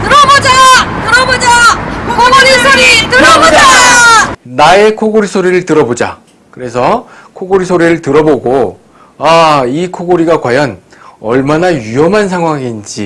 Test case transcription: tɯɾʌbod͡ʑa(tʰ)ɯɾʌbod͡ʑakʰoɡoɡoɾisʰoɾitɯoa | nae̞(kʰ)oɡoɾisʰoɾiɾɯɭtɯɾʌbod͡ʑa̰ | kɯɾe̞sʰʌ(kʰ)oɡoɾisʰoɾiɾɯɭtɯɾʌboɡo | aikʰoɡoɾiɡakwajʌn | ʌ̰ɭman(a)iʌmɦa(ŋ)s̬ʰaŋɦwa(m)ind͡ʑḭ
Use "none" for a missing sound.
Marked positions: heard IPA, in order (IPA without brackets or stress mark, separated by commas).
t, kʰ, kʰ, a, n, ŋ